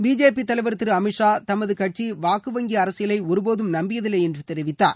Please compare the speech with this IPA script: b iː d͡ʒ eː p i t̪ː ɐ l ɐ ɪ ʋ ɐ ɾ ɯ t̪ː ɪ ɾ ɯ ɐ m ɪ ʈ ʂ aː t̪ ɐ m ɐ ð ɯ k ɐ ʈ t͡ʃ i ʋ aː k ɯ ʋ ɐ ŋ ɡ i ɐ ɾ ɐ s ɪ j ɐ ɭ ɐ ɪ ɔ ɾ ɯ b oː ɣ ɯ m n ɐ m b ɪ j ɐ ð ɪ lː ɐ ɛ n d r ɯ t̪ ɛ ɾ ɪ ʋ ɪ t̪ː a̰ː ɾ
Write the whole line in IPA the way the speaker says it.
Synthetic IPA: b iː d͡ʒ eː p i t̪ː ɐ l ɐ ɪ ʋ ɐ ɾ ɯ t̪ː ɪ ɾ ɯ ɐ m ɪ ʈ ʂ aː t̪ ɐ m ɐ ð ɯ k ɐ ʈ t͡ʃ i ʋ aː k ɯ ʋ ɐ ŋ ɡ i ɐ ɾ ɐ s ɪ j ɐ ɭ ɐ ɪ ɔ ɾ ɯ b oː ð ɯ m n ɐ m b ɪ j ɐ ð ɪ lː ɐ ɛ n d r ɯ t̪ ɛ ɾ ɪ ʋ ɪ t̪ː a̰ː ɾ

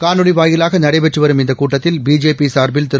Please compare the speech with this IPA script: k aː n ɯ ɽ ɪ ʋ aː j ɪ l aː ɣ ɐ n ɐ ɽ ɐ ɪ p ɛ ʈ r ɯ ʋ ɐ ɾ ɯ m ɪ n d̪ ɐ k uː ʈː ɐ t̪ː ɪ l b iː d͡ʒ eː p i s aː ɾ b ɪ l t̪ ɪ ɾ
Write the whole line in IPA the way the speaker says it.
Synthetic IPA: k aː n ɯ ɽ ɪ ʋ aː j ɪ l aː ɣ ɐ n ɐ ɽ ɐ ɪ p ɛ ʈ r ɯ ʋ ɐ ɾ ɯ m ɪ n d̪ ɐ k uː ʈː ɐ t̪ː ɪ l b iː d͡ʒ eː p i s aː ɾ b ɪ l t̪ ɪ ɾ

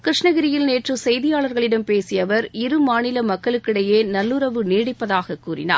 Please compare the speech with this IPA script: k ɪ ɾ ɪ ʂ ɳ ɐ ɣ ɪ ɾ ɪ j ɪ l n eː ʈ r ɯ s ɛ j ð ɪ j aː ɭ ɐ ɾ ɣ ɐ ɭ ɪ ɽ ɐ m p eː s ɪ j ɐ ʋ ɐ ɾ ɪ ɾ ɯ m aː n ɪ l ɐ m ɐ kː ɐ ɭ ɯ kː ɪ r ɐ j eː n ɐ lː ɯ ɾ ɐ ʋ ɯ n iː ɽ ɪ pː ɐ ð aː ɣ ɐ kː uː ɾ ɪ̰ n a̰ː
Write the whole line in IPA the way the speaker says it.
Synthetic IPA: k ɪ ɾ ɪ ʂ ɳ ɐ ɣ ɪ ɾ ɪ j ɪ l n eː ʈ r ɯ s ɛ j ð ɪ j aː ɭ ɐ ɾ ɣ ɐ ɭ ɪ ɽ ɐ m p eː s ɪ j ɐ ʋ ɐ ɾ ɪ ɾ ɯ m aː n ɪ l ɐ m ɐ kː ɐ ɭ ɯ kː ɪ ɽ ɐ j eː n ɐ lː ɯ ɾ ɐ ʋ ɯ n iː ɽ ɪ pː ɐ ð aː ɣ ɐ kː uː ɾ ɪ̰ n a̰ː

